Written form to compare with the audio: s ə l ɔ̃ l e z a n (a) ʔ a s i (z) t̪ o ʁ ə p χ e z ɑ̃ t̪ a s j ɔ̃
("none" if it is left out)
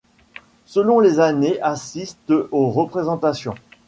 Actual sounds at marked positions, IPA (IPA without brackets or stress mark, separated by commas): e, s